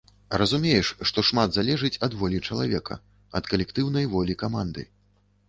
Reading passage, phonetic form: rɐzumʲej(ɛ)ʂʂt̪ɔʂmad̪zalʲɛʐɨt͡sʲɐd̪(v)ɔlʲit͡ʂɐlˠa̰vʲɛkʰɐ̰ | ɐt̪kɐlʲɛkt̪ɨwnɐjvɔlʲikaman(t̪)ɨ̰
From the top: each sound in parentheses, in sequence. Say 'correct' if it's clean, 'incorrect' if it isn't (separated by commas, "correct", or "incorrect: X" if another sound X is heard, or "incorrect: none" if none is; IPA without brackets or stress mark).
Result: correct, correct, incorrect: d̪